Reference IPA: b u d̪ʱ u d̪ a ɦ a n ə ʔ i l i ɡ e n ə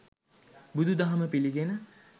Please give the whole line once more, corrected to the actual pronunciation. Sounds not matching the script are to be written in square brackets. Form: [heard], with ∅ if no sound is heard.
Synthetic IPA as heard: b u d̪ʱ u d̪ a ɦ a [m] ə [p] i l i ɡ e n ə